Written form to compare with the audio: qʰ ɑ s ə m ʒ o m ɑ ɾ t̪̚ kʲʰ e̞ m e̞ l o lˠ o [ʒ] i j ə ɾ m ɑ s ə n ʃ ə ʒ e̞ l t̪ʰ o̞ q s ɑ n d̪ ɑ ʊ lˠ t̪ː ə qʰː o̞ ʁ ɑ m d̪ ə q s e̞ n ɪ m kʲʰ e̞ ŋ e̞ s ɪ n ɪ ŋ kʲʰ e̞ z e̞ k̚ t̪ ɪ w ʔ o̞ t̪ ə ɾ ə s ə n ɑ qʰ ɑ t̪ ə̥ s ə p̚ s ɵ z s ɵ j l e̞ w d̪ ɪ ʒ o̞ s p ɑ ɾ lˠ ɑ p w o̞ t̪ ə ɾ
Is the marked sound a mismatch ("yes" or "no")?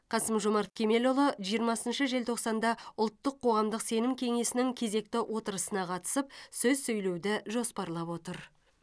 no